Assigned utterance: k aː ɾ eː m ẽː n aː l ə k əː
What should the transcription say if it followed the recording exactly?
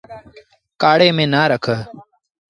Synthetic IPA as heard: k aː ɽ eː m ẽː n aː ɾ ə kʰ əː